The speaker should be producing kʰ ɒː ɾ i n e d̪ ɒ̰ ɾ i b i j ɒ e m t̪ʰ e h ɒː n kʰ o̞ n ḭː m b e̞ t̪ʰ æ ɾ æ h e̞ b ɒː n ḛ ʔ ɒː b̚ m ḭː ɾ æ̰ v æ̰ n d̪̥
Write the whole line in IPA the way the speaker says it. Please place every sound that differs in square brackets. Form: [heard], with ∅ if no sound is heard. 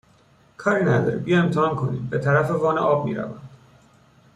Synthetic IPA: kʰ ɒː ɾ i n [æ] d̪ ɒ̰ ɾ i b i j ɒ e m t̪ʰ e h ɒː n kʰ o̞ n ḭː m b e̞ t̪ʰ æ ɾ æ [f] e̞ [v] ɒː n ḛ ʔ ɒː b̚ m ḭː ɾ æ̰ v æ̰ n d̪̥

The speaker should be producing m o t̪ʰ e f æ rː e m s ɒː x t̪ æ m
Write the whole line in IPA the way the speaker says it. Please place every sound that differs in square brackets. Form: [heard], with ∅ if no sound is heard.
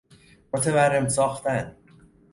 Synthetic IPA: m o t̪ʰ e [v] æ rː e m s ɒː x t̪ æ [n]

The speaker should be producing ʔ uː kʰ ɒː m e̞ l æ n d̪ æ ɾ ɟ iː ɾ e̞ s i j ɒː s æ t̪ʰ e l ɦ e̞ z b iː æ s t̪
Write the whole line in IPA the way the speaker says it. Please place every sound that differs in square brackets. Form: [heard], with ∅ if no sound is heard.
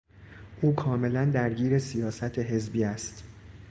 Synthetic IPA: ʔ uː kʰ ɒː m e̞ l æ n d̪ æ ɾ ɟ iː ɾ e̞ s i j ɒː s æ t̪ʰ e [∅] ɦ e̞ z b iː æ s t̪

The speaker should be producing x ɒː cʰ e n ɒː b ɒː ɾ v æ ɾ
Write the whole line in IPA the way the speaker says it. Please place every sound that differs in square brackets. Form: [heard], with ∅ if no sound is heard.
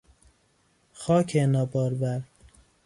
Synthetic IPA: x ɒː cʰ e n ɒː b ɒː ɾ [b] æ ɾ

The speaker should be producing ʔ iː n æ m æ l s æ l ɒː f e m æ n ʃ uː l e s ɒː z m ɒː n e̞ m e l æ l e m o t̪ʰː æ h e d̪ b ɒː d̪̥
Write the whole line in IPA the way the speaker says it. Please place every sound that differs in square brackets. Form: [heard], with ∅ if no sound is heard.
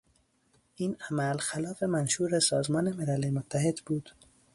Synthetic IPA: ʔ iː n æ m æ l [x] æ l ɒː f e m æ n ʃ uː [ɾ] e s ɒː z m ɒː n e̞ m e l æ l e m o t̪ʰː æ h e d̪ b [uː] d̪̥

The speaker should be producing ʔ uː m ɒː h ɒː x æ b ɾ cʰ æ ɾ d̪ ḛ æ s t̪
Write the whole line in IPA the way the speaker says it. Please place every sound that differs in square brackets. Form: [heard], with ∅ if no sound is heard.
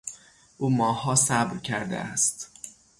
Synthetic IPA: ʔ uː m ɒː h ɒː [s] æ b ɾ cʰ æ ɾ d̪ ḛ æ s t̪

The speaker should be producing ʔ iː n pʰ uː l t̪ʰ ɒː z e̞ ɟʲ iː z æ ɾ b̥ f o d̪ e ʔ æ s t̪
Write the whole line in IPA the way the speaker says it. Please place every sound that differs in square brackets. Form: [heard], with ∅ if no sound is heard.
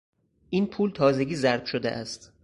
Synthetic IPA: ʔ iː n pʰ uː l t̪ʰ ɒː z e̞ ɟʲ iː z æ ɾ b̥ [ʃ] o d̪ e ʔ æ s t̪

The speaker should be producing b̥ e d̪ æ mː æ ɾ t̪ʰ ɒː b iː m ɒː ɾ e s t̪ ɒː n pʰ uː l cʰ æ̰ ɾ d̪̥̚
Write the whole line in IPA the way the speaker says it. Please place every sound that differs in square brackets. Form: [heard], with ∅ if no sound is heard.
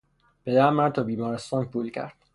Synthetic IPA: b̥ e d̪ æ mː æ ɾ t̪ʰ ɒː b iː m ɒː ɾ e s t̪ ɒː n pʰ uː l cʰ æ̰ ɾ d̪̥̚

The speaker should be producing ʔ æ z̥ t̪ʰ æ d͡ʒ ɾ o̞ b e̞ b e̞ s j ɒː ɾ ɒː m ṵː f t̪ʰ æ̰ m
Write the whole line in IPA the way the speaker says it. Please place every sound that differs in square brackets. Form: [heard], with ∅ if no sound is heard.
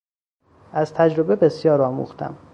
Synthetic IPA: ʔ æ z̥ t̪ʰ æ d͡ʒ ɾ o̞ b e̞ b e̞ s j ɒː ɾ ɒː m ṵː [x] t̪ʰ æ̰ m

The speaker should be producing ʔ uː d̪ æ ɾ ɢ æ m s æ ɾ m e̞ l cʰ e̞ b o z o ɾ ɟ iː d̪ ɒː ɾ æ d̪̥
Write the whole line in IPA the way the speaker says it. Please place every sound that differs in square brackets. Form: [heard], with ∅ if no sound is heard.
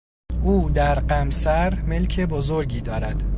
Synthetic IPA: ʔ uː d̪ æ ɾ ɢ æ m s æ ɾ m e̞ l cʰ e̞ b o z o ɾ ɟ iː d̪ ɒː ɾ æ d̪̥

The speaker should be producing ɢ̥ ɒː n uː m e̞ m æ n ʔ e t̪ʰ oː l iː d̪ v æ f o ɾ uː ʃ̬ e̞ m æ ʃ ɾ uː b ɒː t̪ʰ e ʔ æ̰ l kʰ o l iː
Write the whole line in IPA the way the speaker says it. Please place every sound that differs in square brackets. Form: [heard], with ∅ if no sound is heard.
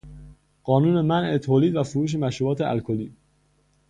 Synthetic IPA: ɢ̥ ɒː n uː [n] e̞ m æ n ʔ e t̪ʰ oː l iː d̪ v æ f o ɾ uː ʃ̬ e̞ m æ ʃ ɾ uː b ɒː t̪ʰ e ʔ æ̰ l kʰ o l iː

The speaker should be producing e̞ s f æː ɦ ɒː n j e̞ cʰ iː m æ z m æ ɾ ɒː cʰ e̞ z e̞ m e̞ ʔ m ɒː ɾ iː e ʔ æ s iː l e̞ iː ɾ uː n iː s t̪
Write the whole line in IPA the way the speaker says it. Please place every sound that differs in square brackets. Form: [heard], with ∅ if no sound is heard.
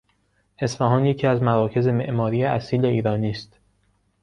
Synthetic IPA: e̞ s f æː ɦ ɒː n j e̞ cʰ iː [∅] æ z m æ ɾ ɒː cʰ e̞ z e̞ m e̞ ʔ m ɒː ɾ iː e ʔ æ s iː l e̞ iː ɾ [ɒː] n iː s t̪

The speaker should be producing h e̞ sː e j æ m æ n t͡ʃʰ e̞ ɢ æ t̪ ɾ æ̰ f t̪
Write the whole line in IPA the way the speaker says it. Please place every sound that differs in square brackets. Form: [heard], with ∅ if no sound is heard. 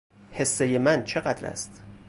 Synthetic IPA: h e̞ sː e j [e] m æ n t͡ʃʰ e̞ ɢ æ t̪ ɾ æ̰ [s] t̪

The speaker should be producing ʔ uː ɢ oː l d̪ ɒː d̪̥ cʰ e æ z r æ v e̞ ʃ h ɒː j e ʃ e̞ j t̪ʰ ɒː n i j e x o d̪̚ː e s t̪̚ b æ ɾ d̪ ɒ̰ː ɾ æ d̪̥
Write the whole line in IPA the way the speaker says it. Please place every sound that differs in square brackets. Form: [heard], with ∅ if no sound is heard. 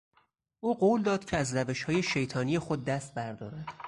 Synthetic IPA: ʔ uː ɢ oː l d̪ ɒː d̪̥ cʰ e æ z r æ v e̞ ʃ h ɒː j e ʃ e̞ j t̪ʰ ɒː n i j e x o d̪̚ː [æ] s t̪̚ b æ ɾ d̪ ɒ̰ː ɾ æ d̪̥

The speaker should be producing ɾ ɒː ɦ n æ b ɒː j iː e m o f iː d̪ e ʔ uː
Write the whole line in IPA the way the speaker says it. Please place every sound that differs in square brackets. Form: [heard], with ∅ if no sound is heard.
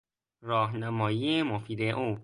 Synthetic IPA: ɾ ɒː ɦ n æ [m] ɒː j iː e m o f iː d̪ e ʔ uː

